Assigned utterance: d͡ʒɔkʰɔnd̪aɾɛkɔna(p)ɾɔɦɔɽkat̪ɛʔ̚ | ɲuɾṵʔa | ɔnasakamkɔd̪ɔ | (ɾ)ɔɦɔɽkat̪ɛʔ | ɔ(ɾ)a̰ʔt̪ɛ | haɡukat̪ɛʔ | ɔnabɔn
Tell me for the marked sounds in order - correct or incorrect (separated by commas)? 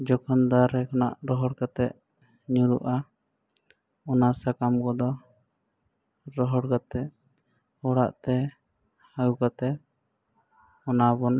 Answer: incorrect, correct, incorrect